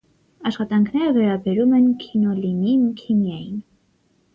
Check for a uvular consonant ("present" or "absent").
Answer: present